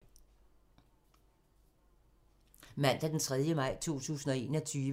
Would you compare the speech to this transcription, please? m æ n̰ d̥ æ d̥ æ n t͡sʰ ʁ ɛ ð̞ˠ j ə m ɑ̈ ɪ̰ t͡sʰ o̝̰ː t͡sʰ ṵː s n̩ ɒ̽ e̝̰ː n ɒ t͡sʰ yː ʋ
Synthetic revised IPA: m æ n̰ d̥ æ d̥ e n t͡sʰ ʁ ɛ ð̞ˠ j ə m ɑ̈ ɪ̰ t͡sʰ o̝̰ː t͡sʰ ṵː s n̩ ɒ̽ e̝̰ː n ɒ t͡sʰ yː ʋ